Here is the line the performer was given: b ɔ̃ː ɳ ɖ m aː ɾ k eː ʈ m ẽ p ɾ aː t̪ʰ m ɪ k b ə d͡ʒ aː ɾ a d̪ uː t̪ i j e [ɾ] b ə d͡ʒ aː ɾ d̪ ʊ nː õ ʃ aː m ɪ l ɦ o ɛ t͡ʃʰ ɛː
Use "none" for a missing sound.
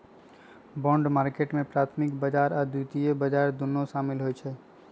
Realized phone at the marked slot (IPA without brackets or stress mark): none